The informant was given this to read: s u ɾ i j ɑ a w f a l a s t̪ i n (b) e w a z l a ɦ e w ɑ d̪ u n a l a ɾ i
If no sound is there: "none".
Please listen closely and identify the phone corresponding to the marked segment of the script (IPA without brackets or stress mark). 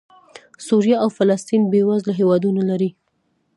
b